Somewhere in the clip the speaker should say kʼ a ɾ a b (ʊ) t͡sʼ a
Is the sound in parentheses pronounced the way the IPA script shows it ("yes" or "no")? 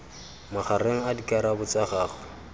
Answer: yes